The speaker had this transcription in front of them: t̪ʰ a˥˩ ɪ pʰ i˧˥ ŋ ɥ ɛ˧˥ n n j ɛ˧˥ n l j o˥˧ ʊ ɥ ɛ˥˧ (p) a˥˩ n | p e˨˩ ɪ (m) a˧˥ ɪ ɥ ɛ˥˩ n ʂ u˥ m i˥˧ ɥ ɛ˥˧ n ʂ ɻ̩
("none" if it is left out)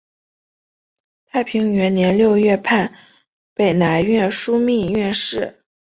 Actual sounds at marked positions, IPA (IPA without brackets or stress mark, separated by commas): pʰ, n